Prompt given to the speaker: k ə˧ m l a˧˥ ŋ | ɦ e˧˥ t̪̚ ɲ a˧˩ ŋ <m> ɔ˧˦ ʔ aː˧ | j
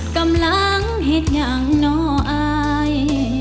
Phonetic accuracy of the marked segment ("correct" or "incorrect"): incorrect